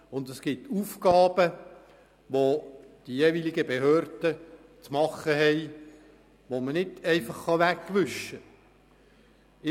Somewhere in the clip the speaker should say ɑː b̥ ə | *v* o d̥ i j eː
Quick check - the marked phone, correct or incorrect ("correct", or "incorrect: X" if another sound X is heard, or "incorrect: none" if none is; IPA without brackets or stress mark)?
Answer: incorrect: ʋ